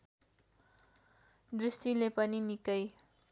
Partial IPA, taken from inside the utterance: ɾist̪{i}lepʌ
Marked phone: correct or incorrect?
correct